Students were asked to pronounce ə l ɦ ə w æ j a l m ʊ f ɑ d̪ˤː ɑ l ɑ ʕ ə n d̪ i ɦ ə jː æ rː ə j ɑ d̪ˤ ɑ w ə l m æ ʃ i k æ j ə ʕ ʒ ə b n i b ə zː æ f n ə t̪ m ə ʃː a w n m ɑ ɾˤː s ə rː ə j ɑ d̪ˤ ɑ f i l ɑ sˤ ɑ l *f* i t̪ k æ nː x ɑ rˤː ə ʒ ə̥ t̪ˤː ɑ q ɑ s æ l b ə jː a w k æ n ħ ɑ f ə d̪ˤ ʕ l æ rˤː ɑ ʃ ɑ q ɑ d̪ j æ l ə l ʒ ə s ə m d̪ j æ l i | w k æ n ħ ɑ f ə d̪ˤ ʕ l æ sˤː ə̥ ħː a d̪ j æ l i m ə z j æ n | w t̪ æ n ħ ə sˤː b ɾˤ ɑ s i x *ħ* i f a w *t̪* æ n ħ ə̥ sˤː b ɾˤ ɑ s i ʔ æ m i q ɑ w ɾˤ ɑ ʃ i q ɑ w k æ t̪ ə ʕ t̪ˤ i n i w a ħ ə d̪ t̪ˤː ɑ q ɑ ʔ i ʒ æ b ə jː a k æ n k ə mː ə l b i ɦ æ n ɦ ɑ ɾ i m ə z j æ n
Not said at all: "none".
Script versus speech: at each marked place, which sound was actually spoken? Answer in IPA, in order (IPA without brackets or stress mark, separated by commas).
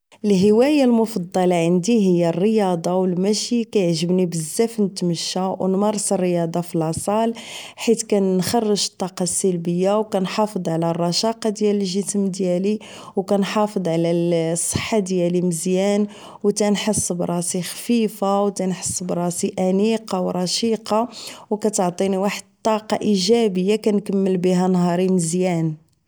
ħ, f, t̪